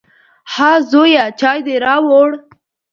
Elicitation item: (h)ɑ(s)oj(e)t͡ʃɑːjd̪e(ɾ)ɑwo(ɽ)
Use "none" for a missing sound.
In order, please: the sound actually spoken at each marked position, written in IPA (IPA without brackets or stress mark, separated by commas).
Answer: h, z, a, ɾ, ɽ